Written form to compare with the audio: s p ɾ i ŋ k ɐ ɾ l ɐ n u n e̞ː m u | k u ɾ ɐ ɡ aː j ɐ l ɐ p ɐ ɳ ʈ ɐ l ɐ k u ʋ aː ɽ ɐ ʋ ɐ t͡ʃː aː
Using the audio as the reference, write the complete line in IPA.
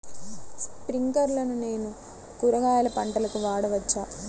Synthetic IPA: s p ɾ i ŋ k ɐ ɾ l ɐ n u n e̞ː n u | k u ɾ ɐ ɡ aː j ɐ l ɐ p ɐ ɳ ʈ ɐ l ɐ k u ʋ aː ɽ ɐ ʋ ɐ t͡ʃː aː

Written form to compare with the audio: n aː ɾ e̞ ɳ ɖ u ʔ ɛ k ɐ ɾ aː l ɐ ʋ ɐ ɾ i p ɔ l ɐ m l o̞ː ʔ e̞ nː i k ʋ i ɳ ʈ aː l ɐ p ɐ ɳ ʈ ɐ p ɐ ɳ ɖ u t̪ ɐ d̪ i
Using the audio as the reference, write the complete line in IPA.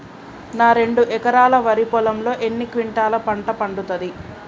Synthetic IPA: n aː ɾ e̞ ɳ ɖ u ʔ ɛ k ɐ ɾ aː l ɐ ʋ ɐ ɾ i p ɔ l ɐ m l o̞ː ʔ e̞ nː i k ʋ i ɳ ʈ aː l ɐ p ɐ ɳ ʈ ɐ p ɐ ɳ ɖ u t̪ ɐ d̪ i

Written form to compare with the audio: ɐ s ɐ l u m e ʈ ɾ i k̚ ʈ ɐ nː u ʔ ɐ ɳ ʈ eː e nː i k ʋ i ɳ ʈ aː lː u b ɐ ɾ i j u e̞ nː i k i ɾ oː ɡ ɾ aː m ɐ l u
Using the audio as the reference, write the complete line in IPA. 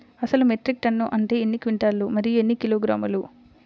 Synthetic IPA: ɐ s ɐ l u m e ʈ ɾ i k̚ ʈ ɐ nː u ʔ ɐ ɳ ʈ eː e nː i k ʋ i ɳ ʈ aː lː u m ɐ ɾ i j u e̞ nː i k i l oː ɡ ɾ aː m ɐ l u

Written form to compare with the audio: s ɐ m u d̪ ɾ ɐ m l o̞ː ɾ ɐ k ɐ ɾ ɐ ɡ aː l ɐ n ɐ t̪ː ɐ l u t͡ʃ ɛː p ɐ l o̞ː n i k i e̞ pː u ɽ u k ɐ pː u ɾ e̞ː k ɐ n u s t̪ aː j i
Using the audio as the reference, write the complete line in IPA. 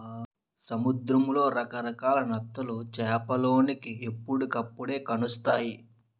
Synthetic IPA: s ɐ m u d̪ ɾ ɐ m l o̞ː ɾ ɐ k ɐ ɾ ɐ k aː l ɐ n ɐ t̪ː ɐ l u t͡ʃ ɛː p ɐ l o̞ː n i k i e̞ pː u ɽ u k ɐ pː u ɽ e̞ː k ɐ n u s t̪ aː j i

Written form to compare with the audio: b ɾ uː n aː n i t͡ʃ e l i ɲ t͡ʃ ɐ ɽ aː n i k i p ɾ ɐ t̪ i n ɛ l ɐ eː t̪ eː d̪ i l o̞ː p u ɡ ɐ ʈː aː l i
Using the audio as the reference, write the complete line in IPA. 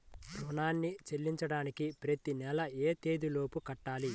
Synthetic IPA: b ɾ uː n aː nː i t͡ʃ e lː i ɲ t͡ʃ ɐ ɽ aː n i k i p ɾ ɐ t̪ i n ɛ l ɐ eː t̪ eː d̪ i l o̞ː p u k ɐ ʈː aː l i

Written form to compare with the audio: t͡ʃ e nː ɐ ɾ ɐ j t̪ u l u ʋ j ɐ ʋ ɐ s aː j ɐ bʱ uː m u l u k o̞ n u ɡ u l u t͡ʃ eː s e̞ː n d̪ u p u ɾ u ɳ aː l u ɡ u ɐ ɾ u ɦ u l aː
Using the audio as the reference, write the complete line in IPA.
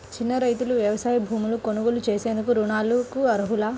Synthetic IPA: t͡ʃ i nː ɐ ɾ ɐ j t̪ u l u ʋ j ɐ ʋ ɐ s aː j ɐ bʱ uː m u l u k o̞ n u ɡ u l u t͡ʃ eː s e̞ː n d̪ u k u ɾ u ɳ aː l u k u ɐ ɾ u ɦ u l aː

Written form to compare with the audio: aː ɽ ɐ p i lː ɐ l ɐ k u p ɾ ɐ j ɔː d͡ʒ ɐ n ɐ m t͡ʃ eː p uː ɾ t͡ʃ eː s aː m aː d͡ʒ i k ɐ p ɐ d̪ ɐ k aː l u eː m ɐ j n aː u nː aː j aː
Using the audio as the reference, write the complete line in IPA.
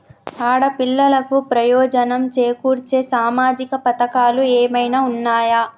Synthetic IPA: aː ɽ ɐ p i lː ɐ l ɐ k u p ɾ ɐ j ɔː d͡ʒ ɐ n ɐ m t͡ʃ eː k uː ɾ t͡ʃ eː s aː m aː d͡ʒ i k ɐ p ɐ t̪ ɐ k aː l u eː m ɐ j n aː u nː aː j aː

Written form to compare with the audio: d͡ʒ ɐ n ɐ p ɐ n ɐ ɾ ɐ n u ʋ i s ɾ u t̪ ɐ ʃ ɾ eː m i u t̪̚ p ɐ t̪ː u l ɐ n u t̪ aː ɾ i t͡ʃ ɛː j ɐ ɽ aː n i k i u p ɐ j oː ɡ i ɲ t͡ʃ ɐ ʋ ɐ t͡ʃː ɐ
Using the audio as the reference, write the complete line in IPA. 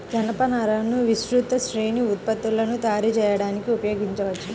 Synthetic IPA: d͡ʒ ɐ n ɐ p ɐ n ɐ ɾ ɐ n u ʋ i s ɾ u t̪ ɐ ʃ ɾ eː n i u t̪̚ p ɐ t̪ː u l ɐ n u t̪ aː ɾ i t͡ʃ ɛː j ɐ ɽ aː n i k i u p ɐ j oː ɡ i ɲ t͡ʃ ɐ ʋ ɐ t͡ʃː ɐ

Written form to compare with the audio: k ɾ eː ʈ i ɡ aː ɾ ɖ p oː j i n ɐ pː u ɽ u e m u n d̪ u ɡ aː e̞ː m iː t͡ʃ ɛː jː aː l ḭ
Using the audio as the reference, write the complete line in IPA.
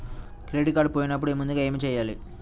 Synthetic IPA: k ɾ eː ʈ i k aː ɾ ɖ p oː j i n ɐ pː u ɽ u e m u n d̪ u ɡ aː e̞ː m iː t͡ʃ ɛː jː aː l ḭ

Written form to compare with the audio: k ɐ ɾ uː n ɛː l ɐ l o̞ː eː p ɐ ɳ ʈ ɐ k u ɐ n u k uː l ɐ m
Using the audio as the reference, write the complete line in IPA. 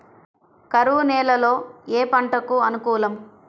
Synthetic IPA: k ɐ ɾ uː n ɛː l ɐ l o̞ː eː p ɐ ɳ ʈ ɐ k u ɐ n u k uː l ɐ m

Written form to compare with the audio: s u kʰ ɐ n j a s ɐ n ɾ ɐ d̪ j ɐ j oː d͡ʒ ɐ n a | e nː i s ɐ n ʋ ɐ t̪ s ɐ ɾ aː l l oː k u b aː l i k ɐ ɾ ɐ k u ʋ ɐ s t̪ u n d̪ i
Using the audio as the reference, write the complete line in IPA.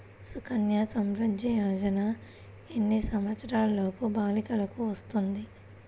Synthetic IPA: s u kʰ ɐ n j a s ɐ m ɾ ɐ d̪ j ɐ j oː d͡ʒ ɐ n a | e nː i s ɐ m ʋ ɐ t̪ s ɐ ɾ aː l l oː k u b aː l i k ɐ l ɐ k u ʋ ɐ s t̪ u n d̪ i

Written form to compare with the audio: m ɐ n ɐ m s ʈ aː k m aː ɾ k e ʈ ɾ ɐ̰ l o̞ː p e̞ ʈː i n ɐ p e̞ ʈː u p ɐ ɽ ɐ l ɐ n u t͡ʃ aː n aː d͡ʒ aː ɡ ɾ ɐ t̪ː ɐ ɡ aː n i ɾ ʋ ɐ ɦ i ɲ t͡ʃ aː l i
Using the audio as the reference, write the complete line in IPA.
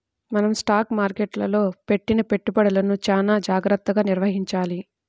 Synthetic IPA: m ɐ n ɐ m s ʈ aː k m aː ɾ k e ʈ l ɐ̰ l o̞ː p e̞ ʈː i n ɐ p e̞ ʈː u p ɐ ɽ ɐ l ɐ n u t͡ʃ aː n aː d͡ʒ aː ɡ ɾ ɐ t̪ː ɐ ɡ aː n i ɾ ʋ ɐ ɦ i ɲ t͡ʃ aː l i

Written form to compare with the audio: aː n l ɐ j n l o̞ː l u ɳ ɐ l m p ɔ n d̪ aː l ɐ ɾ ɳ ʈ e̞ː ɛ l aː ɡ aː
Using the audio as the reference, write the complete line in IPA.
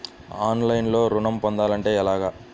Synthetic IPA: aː n l ɐ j n l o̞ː ɾ u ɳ ɐ m p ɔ n d̪ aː l ɐ ɳ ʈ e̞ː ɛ l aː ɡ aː

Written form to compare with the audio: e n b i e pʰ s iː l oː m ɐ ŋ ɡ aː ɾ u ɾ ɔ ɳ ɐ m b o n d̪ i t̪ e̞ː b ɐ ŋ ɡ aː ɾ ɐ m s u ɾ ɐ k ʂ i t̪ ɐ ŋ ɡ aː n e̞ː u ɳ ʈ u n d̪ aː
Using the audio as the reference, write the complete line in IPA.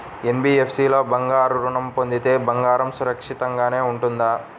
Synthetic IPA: e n b i e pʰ s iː l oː b ɐ ŋ ɡ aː ɾ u ɾ u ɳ ɐ m p o n d̪ i t̪ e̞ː b ɐ ŋ ɡ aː ɾ ɐ m s u ɾ ɐ k ʂ i t̪ ɐ ŋ ɡ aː n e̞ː u ɳ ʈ u n d̪ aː

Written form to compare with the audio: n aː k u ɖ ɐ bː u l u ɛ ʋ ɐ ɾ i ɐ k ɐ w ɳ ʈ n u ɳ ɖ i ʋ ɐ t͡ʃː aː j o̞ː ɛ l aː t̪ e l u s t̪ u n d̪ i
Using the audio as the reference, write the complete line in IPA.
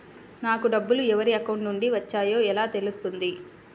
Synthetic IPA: n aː k u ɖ ɐ bː u l u ɛ ʋ ɐ ɾ i ɐ k ɐ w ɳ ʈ n u ɳ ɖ i ʋ ɐ t͡ʃː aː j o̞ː ɛ l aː t̪ e l u s t̪ u n d̪ i

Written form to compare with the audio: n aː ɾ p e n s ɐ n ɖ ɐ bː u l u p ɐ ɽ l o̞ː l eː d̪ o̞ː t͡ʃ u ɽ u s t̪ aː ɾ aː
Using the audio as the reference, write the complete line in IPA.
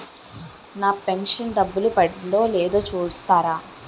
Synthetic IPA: n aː p e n ʂ ɐ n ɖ ɐ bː u l u p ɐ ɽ l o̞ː l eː d̪ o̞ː t͡ʃ uː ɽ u s t̪ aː ɾ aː

